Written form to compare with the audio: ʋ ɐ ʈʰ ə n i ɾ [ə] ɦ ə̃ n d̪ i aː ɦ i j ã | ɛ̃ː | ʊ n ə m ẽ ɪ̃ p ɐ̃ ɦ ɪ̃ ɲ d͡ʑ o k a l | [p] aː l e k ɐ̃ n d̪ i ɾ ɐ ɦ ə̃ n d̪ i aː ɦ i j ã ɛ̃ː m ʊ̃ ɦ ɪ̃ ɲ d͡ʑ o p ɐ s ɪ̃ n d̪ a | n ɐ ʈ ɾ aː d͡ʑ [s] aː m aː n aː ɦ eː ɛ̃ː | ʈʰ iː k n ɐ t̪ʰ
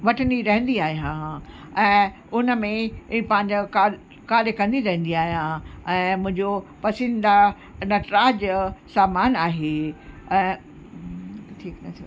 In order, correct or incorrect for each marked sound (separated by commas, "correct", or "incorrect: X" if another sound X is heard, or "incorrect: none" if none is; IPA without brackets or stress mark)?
incorrect: ɐ, incorrect: k, correct